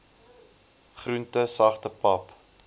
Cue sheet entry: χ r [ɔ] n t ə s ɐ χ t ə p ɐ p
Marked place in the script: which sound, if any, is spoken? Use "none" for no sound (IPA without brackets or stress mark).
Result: u